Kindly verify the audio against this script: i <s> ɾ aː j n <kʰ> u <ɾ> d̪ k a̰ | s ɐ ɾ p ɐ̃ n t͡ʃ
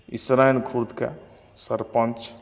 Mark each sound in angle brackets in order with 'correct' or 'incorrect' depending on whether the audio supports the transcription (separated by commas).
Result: correct, correct, correct